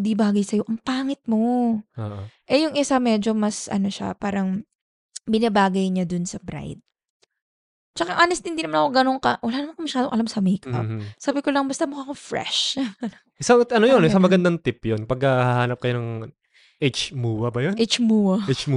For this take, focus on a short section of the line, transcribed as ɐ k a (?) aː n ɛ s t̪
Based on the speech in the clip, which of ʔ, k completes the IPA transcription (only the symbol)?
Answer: ʔ